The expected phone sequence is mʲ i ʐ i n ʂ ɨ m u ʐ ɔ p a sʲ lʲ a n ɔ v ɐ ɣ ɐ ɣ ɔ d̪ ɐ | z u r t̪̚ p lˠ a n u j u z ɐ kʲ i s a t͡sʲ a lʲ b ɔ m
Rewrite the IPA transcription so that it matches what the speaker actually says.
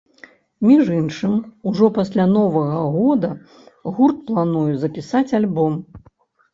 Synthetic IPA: mʲ i ʐ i n ʂ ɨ m u ʐ ɔ p a sʲ lʲ a n ɔ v ɐ ɣ ɐ ɣ ɔ d̪ ɐ | ɣ u r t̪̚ p lˠ a n u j u z ɐ pʲ i s a t͡sʲ a lʲ b ɔ m